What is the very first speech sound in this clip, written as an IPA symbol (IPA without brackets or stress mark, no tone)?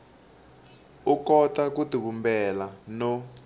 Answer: u